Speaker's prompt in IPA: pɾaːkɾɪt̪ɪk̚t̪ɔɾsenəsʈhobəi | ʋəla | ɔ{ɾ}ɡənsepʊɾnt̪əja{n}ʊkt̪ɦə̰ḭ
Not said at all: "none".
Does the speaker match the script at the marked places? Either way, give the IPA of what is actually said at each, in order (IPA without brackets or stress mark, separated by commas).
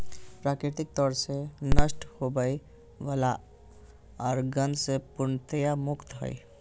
ɾ, m